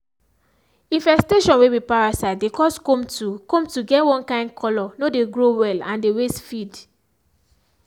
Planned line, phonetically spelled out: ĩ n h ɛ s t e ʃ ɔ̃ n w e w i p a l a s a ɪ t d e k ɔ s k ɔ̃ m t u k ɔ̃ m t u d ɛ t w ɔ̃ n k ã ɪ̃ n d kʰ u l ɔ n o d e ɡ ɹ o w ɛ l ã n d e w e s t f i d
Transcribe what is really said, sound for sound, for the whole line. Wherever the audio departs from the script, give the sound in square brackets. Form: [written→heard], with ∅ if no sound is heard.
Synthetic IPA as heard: ĩ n [h→f] ɛ s t e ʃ ɔ̃ n w e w i p a [l→ɹ] a s a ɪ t d e k ɔ s k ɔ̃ m t u k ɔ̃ m t u [d→ɡ] ɛ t w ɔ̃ n k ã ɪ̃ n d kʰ [u→ɔ] l ɔ n o d e ɡ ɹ o w ɛ l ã n d e w e s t f i d

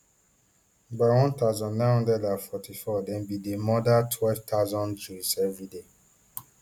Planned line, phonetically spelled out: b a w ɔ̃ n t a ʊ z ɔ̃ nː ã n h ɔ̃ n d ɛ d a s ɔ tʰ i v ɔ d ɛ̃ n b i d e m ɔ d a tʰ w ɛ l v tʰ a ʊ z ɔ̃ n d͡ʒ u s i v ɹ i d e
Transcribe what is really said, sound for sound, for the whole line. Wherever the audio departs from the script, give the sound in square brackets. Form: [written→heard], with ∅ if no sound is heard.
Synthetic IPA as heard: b a w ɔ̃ n t a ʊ z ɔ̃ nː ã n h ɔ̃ n d ɛ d a [s→f] ɔ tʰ i [v→f] ɔ d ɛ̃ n b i d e m ɔ d a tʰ w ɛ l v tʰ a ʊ z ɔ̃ n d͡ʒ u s [i→ɛ] v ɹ i d e

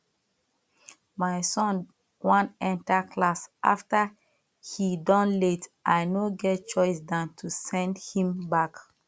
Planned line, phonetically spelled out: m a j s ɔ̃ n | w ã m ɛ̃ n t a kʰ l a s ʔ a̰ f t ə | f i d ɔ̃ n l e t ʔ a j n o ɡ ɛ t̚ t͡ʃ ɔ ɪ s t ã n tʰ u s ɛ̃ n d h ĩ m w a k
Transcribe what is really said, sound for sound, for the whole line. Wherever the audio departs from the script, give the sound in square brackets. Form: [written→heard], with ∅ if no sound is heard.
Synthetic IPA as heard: m a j s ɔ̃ n | w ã [m→n] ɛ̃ n t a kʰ l a s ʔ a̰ f t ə | [f→h] i d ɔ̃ n l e t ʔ a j n o ɡ ɛ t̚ t͡ʃ ɔ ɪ s [t→d] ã n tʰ u s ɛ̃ n d h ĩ m [w→b] a k

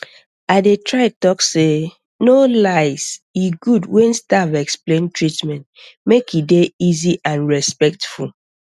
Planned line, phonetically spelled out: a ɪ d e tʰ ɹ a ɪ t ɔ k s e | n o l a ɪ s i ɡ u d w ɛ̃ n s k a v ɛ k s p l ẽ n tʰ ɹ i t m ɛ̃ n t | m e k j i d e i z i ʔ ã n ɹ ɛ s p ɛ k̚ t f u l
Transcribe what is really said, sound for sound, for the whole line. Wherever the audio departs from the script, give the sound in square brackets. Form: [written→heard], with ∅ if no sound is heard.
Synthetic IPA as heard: a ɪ d e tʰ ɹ a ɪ t ɔ k s e | n o l a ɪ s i ɡ u d w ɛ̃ n s [k→t] a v ɛ k s p l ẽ n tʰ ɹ i t m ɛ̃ n t | m e k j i d e i z i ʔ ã n ɹ ɛ s p ɛ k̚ t f u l

